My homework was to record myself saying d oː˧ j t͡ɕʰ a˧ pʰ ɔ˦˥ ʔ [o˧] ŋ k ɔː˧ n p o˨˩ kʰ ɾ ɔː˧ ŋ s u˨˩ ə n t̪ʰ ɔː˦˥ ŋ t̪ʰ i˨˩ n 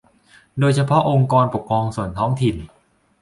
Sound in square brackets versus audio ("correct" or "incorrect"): correct